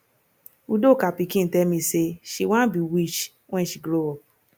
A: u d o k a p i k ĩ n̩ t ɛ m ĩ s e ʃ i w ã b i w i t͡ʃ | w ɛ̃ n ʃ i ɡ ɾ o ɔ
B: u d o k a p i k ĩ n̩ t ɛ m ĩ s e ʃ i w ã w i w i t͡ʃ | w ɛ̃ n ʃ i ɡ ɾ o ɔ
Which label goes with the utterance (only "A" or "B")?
A